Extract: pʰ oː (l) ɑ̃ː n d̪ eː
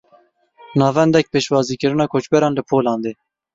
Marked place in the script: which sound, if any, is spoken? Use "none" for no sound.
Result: l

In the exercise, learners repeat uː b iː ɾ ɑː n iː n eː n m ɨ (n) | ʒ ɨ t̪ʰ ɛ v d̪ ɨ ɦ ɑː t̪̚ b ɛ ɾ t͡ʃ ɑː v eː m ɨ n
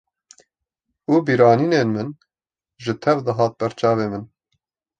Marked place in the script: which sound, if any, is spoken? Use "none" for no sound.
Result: n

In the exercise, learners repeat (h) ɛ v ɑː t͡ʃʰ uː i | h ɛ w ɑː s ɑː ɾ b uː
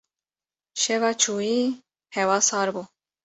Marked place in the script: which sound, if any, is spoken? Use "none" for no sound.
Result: ʃ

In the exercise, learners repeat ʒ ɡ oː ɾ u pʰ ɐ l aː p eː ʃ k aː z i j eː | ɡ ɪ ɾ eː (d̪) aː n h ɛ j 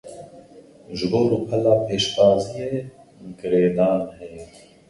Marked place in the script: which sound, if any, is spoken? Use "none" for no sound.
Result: d̪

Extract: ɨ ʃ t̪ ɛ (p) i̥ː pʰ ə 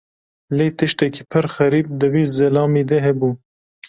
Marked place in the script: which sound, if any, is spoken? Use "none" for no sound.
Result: k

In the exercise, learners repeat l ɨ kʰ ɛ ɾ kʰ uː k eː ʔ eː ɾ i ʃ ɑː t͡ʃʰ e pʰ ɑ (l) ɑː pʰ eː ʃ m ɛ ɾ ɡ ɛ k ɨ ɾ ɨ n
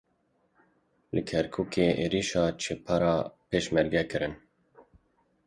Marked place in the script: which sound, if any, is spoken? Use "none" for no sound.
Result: ɾ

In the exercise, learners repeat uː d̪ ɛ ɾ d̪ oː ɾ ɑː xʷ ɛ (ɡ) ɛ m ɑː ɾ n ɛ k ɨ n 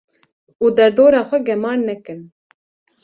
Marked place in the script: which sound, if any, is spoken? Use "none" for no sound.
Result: ɡ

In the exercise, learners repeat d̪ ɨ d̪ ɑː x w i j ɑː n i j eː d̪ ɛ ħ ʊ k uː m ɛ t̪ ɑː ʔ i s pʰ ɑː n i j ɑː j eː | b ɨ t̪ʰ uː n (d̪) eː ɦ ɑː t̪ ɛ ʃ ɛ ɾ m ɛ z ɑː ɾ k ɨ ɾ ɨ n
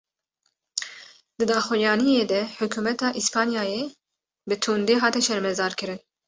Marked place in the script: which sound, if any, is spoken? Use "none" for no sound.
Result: d̪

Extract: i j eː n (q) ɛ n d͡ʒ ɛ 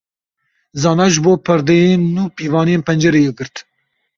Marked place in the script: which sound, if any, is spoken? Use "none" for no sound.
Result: p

